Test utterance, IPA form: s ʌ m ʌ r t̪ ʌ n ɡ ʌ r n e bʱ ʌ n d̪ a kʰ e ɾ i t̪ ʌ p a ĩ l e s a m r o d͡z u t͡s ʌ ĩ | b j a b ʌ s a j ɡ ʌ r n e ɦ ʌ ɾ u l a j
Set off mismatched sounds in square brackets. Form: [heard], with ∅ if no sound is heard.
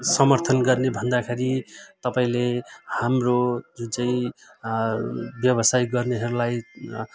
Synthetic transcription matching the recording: s ʌ m ʌ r [t̪ʰ] ʌ n ɡ ʌ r n e bʱ ʌ n d̪ a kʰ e ɾ i t̪ ʌ p a ĩ l e [h] a m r o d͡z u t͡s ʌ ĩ | b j [ʌ] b ʌ s a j ɡ ʌ r n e ɦ ʌ ɾ u l a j